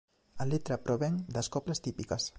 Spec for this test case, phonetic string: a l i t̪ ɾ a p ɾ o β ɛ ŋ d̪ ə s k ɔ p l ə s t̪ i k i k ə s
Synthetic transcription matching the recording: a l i t̪ ɾ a p ɾ o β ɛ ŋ d̪ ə s k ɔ p l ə s t̪ i p i k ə s